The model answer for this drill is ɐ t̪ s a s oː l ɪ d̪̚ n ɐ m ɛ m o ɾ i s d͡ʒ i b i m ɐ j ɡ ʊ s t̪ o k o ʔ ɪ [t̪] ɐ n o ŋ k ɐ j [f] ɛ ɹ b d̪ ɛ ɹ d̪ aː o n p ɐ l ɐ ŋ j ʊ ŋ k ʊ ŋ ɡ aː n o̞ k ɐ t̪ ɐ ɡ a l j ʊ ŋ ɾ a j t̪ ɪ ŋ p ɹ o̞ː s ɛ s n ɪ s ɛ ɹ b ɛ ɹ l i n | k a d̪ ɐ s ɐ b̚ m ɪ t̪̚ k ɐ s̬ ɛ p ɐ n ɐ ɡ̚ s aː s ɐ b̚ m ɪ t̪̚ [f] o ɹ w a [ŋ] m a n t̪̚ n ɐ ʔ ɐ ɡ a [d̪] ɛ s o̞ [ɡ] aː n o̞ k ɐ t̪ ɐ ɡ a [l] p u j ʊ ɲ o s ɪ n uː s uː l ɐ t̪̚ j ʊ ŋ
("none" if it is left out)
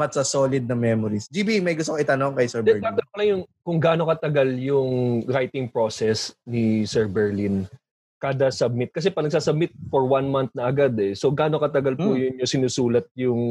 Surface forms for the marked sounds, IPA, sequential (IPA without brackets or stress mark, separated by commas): t̪, s, f, n, d̪, ɡ, l